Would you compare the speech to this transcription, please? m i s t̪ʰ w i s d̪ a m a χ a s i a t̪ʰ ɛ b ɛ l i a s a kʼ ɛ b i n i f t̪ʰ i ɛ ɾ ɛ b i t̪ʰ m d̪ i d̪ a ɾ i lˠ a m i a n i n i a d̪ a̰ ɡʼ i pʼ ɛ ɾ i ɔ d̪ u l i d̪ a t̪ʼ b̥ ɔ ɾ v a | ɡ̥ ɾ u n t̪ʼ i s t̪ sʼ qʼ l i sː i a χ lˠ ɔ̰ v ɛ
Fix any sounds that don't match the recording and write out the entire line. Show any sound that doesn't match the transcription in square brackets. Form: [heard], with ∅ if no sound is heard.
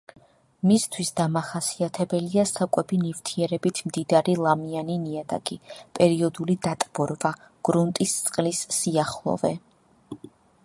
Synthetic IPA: m i s t̪ʰ w i s d̪ a m a χ a s i a t̪ʰ ɛ b ɛ l i a s a kʼ ɛ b i n i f t̪ʰ i ɛ ɾ ɛ b i t̪ʰ m d̪ i d̪ a ɾ i lˠ a m i a n i n i a d̪ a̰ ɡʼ i pʼ ɛ ɾ i ɔ d̪ u l i d̪ a t̪ʼ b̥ ɔ ɾ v a | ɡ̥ ɾ u n t̪ʼ i s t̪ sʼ qʼ l i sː i a χ lˠ ɔ̰ v ɛ